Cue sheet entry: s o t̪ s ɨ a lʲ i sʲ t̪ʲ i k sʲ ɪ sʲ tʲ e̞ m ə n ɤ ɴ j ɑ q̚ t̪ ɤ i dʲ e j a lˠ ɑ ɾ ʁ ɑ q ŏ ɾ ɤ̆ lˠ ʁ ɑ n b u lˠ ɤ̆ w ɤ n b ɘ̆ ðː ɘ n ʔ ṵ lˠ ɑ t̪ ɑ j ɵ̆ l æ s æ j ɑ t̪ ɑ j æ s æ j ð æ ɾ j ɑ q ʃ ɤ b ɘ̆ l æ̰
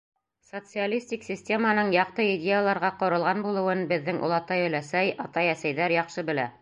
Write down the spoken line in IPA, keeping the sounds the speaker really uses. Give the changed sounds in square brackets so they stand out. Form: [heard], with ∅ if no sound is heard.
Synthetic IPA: s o t̪ s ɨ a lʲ i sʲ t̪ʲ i k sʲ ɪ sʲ tʲ e̞ m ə n ɤ ɴ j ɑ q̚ t̪ ɤ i dʲ e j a lˠ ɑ ɾ ʁ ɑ q ŏ ɾ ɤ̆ lˠ ʁ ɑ n b u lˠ ɤ̆ w ɤ n b ɘ̆ ðː ɘ [ŋ] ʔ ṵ lˠ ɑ t̪ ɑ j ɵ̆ l æ s æ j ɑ t̪ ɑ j æ s æ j ð æ ɾ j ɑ q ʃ ɤ b ɘ̆ l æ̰